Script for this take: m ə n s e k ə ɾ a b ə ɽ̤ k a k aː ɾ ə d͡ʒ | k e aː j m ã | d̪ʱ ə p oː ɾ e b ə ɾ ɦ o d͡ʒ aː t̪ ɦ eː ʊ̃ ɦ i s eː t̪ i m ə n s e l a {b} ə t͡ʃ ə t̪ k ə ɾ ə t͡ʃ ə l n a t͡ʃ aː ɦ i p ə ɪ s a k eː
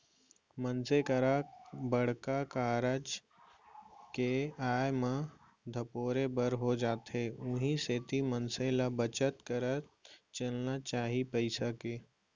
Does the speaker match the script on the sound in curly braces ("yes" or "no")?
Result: yes